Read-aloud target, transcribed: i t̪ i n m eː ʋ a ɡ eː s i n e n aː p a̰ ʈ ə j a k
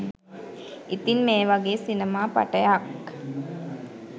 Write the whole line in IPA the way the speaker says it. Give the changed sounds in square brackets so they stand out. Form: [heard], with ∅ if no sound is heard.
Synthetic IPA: i t̪ i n m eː ʋ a ɡ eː s i n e [m] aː p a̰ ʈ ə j a k